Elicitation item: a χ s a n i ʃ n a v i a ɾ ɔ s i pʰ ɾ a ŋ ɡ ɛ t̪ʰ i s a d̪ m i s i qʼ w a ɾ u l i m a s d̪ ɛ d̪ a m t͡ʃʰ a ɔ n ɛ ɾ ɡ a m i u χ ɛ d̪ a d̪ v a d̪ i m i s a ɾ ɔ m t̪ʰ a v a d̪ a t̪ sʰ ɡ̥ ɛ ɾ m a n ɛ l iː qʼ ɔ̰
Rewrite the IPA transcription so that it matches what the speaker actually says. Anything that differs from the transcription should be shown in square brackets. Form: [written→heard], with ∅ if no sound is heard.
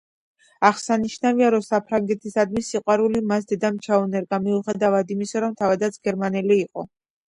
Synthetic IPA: a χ s a n i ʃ n a v i a ɾ ɔ s [i→a] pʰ ɾ a ŋ ɡ ɛ t̪ʰ i s a d̪ m i s i qʼ w a ɾ u l i m a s d̪ ɛ d̪ a m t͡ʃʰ a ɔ n ɛ ɾ ɡ a m i u χ ɛ d̪ a [d̪→∅] v a d̪ i m i s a ɾ ɔ m t̪ʰ a v a d̪ a t̪ sʰ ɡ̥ ɛ ɾ m a n ɛ l iː qʼ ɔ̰